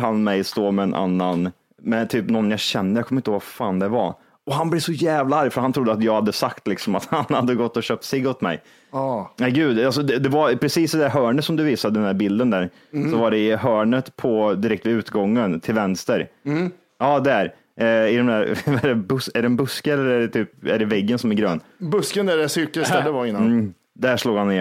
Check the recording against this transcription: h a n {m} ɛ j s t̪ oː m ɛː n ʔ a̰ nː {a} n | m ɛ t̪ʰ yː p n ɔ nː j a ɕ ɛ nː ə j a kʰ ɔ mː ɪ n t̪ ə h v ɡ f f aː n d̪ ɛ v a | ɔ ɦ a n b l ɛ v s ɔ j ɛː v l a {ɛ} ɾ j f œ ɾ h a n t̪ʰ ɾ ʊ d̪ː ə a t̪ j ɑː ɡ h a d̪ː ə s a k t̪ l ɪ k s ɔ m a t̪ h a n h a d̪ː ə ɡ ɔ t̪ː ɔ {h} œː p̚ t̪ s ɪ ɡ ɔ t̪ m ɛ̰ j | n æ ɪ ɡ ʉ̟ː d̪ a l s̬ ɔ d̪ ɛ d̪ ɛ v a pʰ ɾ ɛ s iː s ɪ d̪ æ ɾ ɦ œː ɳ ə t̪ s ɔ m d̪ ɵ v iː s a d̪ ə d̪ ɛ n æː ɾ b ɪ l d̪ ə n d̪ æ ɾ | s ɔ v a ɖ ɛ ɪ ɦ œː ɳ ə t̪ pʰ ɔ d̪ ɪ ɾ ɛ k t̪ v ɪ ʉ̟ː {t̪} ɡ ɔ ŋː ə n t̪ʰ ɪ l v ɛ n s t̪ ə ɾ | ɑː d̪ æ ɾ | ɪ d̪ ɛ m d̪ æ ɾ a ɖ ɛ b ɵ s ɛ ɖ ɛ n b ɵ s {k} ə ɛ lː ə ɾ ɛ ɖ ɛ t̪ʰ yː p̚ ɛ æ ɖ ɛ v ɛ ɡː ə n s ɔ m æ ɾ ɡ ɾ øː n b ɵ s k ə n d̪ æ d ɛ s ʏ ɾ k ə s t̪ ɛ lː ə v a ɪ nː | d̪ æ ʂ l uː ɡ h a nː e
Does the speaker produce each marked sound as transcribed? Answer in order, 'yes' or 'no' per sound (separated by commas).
yes, yes, no, no, yes, yes